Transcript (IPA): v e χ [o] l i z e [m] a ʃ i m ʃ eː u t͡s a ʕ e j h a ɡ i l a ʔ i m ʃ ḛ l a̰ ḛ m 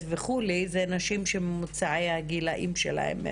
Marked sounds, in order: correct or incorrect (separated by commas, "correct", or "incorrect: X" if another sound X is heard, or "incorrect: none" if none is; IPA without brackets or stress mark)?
incorrect: u, incorrect: n